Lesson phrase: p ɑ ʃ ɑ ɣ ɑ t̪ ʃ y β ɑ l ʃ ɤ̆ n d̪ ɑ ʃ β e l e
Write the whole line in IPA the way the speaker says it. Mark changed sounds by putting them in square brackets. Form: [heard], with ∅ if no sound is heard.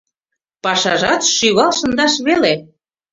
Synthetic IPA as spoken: p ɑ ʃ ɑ [ʒ] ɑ t̪ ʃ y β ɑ l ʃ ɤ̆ n d̪ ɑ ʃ β e l e